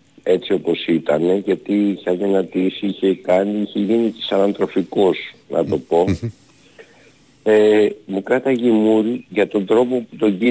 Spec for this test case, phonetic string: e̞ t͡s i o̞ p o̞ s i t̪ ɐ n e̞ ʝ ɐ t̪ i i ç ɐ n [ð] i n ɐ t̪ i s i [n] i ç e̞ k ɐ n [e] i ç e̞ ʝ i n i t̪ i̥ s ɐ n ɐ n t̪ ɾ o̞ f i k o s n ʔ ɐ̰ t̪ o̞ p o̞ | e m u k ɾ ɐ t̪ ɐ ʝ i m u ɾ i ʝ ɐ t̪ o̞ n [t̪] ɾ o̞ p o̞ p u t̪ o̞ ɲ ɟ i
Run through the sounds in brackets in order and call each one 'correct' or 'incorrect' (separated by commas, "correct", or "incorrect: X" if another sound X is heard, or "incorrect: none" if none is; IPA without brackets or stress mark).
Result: correct, incorrect: none, incorrect: i, incorrect: d̪